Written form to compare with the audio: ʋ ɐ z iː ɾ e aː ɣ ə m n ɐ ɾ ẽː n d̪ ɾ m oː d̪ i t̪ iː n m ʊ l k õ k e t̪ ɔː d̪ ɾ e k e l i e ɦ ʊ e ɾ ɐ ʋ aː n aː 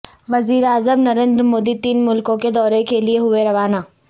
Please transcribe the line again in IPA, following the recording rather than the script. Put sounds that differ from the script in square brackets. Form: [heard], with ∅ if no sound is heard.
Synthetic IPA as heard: ʋ ɐ z iː ɾ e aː [z] ə m n ɐ ɾ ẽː n d̪ ɾ m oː d̪ i t̪ iː n m ʊ l k õ k e [d̪] ɔː [∅] ɾ e k e l i e ɦ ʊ e ɾ ɐ ʋ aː n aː